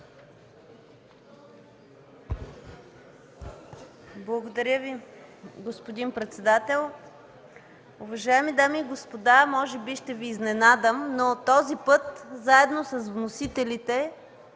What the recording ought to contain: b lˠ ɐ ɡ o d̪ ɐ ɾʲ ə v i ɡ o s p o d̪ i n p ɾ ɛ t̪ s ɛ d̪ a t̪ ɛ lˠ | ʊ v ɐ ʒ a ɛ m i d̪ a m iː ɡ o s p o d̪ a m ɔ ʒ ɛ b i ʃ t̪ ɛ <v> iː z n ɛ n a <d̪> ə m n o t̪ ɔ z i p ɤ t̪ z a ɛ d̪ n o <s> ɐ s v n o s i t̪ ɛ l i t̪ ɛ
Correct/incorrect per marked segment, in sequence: correct, correct, correct

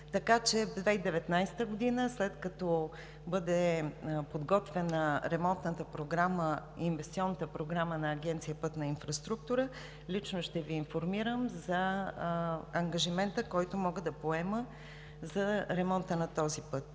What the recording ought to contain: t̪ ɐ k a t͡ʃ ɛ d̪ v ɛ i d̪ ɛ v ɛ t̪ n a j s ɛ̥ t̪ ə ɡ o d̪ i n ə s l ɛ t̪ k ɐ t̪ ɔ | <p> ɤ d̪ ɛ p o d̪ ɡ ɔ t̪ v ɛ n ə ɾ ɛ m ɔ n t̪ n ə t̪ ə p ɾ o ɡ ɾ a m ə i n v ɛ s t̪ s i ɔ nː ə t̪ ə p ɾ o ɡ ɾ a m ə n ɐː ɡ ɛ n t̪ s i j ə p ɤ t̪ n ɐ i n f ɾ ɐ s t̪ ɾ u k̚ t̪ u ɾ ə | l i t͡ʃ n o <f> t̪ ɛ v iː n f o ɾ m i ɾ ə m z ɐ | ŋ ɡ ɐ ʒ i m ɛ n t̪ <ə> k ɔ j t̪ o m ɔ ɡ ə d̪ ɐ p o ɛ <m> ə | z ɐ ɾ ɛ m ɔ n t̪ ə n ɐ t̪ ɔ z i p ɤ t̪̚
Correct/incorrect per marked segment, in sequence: incorrect: b, incorrect: ʃ, correct, correct

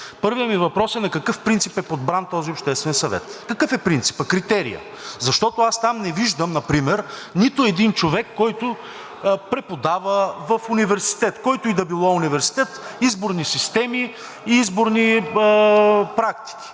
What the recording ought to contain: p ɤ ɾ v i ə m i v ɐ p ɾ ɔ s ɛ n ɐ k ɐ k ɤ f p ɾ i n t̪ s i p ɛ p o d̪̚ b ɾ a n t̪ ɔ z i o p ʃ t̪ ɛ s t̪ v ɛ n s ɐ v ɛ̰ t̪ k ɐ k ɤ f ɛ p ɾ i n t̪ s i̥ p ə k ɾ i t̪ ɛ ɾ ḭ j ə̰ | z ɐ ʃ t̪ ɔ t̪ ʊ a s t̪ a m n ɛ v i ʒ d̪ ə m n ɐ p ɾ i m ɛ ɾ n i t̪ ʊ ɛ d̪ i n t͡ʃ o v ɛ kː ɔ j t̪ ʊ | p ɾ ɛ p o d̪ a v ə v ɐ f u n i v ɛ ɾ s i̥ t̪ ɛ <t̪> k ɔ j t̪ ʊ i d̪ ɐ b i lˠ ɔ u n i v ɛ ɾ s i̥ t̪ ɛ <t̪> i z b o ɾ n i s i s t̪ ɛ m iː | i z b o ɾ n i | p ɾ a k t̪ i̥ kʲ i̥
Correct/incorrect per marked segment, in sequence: correct, correct

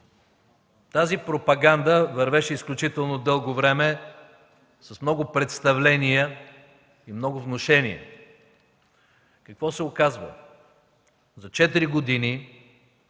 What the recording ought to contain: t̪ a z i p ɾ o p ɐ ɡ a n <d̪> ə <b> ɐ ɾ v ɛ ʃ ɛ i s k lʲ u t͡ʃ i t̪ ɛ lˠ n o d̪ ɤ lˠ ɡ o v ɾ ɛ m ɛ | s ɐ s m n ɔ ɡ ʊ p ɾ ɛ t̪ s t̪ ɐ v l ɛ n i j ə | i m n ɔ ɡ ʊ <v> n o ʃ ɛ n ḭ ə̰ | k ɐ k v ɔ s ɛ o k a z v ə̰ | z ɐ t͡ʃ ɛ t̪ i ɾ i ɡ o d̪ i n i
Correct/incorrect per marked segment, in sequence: correct, incorrect: v, correct

